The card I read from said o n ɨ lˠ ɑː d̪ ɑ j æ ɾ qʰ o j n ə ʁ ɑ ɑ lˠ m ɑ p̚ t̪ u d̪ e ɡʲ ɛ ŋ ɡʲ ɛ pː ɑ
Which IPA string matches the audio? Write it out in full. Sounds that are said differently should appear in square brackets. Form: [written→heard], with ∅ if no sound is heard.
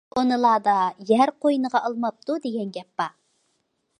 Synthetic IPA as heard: o n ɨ lˠ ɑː d̪ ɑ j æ ɾ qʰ o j n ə ʁ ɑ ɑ lˠ m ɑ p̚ t̪ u d̪ e ɡʲ ɛ [ŋ→n] ɡʲ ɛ pː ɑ